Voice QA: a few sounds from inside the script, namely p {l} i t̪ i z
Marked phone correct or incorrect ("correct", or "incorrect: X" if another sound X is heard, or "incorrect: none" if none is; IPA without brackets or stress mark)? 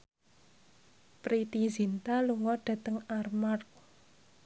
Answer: incorrect: ɾ